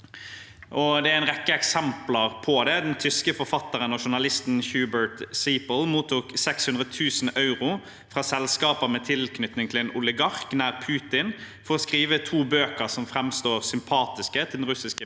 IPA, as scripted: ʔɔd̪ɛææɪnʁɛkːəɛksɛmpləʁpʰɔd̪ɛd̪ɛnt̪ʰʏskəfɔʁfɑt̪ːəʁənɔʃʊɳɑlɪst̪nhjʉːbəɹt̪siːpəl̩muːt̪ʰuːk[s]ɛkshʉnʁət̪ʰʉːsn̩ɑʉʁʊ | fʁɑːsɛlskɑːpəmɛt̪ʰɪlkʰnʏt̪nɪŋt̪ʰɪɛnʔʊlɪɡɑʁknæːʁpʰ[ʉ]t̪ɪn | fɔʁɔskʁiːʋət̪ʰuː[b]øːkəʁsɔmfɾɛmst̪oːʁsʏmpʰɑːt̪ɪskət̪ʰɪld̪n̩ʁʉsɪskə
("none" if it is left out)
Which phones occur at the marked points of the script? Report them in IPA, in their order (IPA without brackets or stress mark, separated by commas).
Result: s, ʉː, b